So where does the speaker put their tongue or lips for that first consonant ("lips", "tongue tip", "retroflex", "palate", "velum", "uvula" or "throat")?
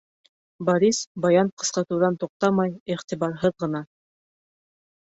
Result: lips